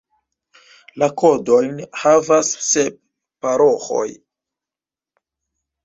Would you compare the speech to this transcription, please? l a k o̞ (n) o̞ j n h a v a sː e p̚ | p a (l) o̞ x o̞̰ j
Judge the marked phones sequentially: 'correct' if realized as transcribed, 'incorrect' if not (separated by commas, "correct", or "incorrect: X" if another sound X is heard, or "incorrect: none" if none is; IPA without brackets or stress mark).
incorrect: d, incorrect: ɾ